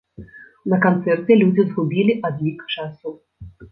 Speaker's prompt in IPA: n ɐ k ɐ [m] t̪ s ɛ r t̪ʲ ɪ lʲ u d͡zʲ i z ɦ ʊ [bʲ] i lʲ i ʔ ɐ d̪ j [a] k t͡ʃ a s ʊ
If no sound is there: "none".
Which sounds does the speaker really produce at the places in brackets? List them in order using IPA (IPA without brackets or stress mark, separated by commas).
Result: n, bʲ, i